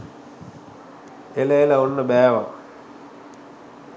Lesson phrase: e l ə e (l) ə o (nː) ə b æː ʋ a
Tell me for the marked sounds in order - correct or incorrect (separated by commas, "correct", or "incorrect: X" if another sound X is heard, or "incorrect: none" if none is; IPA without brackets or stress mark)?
correct, correct